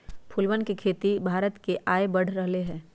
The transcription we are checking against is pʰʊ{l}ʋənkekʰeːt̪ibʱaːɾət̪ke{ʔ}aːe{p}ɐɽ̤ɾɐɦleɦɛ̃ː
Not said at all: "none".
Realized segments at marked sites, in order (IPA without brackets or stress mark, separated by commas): l, ʔ, b